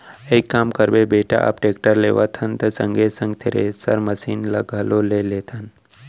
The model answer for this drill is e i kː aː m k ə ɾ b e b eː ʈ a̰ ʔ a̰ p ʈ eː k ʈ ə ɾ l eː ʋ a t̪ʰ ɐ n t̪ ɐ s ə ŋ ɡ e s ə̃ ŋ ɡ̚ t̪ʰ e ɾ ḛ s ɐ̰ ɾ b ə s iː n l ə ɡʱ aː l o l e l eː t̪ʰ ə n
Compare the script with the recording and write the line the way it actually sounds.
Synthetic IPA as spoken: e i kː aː m k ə ɾ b e b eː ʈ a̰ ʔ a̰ p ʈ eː k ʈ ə ɾ l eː ʋ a t̪ʰ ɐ n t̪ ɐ s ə ŋ ɡ e s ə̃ ŋ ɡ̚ t̪ʰ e ɾ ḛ s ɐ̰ ɾ m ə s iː n l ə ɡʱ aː l o l e l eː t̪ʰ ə n